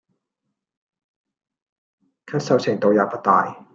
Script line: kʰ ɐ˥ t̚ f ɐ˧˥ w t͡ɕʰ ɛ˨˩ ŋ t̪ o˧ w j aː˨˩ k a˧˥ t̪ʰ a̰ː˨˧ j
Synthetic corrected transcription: kʰ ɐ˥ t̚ s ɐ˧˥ w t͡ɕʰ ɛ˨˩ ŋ t̪ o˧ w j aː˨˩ p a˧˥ t̪ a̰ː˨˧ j